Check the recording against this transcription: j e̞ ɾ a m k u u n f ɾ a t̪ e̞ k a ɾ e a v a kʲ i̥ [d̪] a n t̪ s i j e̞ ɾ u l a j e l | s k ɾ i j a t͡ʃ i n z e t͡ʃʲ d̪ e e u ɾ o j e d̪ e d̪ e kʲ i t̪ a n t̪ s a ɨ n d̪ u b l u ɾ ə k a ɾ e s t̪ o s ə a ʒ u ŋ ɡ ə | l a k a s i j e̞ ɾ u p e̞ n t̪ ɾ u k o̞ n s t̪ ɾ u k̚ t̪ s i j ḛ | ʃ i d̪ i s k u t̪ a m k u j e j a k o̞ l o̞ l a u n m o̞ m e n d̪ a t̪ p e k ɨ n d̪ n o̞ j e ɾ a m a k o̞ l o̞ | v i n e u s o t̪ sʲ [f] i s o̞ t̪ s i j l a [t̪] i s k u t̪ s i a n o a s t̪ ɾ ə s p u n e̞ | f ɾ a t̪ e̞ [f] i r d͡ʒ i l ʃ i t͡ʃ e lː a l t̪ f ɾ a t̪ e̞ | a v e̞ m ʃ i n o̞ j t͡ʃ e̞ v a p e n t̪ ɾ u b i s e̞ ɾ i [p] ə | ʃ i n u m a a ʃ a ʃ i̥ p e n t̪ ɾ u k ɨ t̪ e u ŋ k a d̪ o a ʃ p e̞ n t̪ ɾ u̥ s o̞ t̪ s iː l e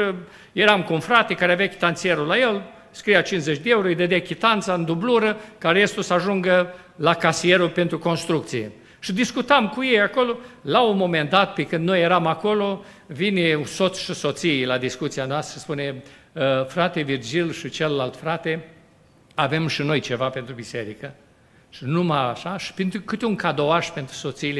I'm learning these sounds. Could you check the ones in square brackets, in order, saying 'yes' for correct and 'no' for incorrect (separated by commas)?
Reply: no, no, no, no, no